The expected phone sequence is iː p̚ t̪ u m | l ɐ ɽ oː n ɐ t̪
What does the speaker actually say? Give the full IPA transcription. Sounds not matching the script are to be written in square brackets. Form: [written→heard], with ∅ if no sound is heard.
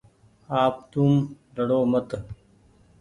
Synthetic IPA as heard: [iː→aː] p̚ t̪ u m | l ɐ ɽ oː [n→m] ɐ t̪